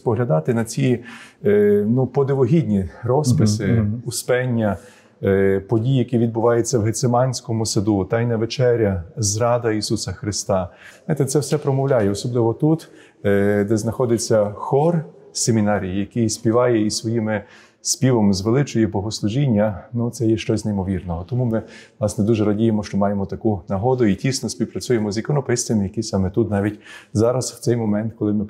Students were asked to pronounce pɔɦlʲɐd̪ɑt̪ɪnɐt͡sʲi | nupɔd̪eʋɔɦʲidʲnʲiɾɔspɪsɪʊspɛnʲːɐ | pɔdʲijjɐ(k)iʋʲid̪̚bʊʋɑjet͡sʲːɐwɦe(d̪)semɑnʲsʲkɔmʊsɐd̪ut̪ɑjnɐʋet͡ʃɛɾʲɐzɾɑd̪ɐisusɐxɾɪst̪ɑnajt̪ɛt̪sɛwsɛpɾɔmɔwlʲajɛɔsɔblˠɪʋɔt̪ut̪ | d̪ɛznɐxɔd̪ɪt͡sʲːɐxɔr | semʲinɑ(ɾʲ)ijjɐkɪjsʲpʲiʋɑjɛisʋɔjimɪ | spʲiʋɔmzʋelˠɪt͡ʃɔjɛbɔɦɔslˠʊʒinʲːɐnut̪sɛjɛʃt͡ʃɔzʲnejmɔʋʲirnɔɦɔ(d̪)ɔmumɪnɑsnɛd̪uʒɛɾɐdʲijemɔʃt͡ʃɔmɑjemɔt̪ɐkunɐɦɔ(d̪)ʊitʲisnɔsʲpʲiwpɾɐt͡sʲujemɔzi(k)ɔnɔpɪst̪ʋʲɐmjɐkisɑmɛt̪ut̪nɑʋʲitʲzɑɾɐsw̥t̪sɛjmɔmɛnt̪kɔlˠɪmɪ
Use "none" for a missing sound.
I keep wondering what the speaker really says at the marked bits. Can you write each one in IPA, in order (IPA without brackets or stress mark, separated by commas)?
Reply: k, t̪, ɾʲ, t̪, d̪, k